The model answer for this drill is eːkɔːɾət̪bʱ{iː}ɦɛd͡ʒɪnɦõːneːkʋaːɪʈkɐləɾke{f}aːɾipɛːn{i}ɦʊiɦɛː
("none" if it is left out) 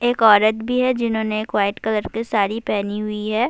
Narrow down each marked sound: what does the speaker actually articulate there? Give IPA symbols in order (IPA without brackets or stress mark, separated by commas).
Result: i, s, i